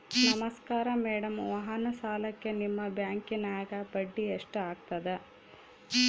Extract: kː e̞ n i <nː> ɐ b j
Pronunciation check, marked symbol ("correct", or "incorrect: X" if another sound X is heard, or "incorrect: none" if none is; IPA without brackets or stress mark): incorrect: mː